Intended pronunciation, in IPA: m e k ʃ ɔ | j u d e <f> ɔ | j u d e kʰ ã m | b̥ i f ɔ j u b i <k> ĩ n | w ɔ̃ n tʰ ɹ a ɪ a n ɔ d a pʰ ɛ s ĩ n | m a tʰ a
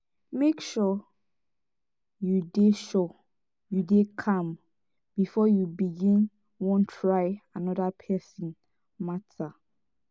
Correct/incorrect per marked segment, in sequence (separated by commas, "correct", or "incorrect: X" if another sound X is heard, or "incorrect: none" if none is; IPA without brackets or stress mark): incorrect: ʃ, incorrect: ɡ